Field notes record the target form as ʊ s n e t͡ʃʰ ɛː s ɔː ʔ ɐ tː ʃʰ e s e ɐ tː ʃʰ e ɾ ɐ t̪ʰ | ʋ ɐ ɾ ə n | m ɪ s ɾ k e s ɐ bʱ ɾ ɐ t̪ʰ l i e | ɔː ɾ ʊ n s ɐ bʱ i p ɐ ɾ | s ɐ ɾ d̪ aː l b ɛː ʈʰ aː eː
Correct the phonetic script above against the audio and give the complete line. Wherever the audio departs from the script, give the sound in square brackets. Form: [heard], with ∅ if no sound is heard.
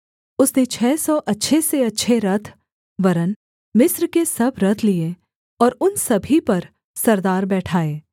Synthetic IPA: ʊ s n e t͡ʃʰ ɛː s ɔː ʔ ɐ tː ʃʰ e s e ɐ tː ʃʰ e ɾ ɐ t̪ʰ | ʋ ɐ ɾ ə n | m ɪ s ɾ k e s ɐ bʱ ɾ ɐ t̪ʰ l i e | ɔː ɾ ʊ n s ɐ bʱ i p ɐ ɾ | s ɐ ɾ d̪ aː [ɾ] b ɛː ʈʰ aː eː

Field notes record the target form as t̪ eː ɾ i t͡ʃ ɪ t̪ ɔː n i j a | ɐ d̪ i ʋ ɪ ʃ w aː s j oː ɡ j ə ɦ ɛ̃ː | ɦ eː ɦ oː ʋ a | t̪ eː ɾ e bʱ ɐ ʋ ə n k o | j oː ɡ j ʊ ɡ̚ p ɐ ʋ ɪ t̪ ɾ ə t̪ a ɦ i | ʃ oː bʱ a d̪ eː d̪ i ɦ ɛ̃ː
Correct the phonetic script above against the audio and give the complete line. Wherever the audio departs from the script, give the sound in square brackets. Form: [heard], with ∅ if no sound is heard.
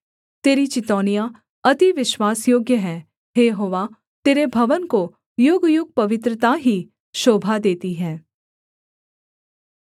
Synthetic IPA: t̪ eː ɾ i t͡ʃ ɪ t̪ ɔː n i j a | ɐ [t̪] i ʋ ɪ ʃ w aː s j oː ɡ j ə ɦ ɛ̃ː | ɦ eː ɦ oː ʋ a | t̪ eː ɾ e bʱ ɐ ʋ ə n k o | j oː ɡ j ʊ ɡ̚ p ɐ ʋ ɪ t̪ ɾ ə t̪ a ɦ i | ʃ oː bʱ a d̪ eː [t̪] i ɦ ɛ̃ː

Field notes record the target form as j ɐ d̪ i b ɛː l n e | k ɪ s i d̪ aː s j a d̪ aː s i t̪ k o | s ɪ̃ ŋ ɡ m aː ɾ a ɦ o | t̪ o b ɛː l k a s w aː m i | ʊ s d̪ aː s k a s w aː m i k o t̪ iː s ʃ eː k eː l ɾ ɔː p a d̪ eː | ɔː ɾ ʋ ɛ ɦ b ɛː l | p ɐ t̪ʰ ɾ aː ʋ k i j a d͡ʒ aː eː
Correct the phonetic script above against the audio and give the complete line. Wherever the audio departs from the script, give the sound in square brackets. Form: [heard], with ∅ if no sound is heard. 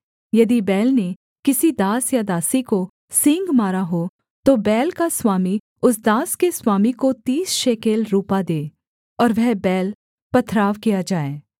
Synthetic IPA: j ɐ d̪ i b ɛː l n e | k ɪ s i d̪ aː s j a d̪ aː s i [∅] k o | s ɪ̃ ŋ ɡ m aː ɾ a ɦ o | t̪ o b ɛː l k a s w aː m i | ʊ s d̪ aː s k [e] s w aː m i k o t̪ iː s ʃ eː k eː l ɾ [uː] p a d̪ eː | ɔː ɾ ʋ ɛ ɦ b ɛː l | p ɐ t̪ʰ ɾ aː ʋ k i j a d͡ʒ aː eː

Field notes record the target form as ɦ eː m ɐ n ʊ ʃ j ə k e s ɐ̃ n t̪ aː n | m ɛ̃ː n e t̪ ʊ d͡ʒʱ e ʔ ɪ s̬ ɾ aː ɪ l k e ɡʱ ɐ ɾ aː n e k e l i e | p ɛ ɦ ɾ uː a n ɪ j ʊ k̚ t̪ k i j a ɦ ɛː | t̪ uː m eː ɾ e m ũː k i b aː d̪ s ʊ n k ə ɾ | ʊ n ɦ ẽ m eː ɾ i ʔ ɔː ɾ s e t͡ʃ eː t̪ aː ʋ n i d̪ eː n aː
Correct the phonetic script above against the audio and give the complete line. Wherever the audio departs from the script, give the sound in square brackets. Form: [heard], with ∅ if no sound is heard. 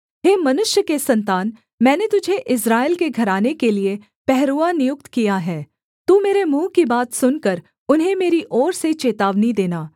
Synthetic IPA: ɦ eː m ɐ n ʊ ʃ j ə k e s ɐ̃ n t̪ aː n | m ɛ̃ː n e t̪ ʊ d͡ʒʱ e ʔ ɪ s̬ ɾ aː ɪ l k e ɡʱ ɐ ɾ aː n e k e l i e | p ɛ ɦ ɾ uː a n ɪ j ʊ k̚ t̪ k i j a ɦ ɛː | t̪ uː m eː ɾ e m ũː k i b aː [t̪] s ʊ n k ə ɾ | ʊ n ɦ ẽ m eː ɾ i ʔ ɔː ɾ s e t͡ʃ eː t̪ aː ʋ n i d̪ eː n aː

